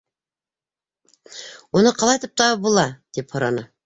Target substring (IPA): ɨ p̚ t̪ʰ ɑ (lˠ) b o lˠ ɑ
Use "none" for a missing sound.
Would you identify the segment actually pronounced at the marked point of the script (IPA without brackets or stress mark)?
none